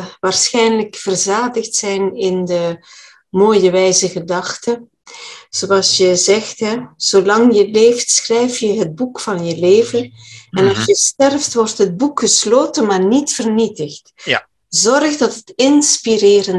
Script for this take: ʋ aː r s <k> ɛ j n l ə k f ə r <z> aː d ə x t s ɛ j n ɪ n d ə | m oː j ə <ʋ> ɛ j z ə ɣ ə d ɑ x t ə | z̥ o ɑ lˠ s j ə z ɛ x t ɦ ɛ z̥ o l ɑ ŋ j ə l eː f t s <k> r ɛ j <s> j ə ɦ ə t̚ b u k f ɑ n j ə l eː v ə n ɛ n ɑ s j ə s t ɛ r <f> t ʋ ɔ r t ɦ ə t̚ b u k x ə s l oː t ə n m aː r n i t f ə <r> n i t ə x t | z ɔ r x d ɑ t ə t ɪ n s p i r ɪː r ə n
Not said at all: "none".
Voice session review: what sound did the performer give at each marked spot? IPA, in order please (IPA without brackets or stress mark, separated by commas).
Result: x, z, ʋ, x, f, f, r